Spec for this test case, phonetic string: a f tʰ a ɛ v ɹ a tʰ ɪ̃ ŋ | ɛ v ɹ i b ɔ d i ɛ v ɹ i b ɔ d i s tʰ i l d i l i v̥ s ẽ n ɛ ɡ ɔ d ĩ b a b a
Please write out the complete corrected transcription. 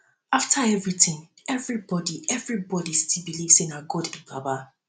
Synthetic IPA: a f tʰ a ɛ v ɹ i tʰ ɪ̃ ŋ | ɛ v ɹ i b ɔ d i ɛ v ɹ i b ɔ d i s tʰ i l b i l i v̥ s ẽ n a ɡ ɔ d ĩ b a b a